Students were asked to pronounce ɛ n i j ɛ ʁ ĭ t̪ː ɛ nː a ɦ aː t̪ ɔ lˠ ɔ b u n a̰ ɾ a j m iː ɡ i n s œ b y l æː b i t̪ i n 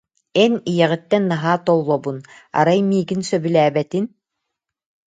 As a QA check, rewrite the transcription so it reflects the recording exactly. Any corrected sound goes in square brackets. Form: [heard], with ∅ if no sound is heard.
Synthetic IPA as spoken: ɛ n i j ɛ ʁ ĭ t̪ː ɛ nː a ɦ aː t̪ ɔ [lˠː] ɔ b u n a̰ ɾ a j m iː ɡ i n s œ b y l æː b [ɛ] t̪ i n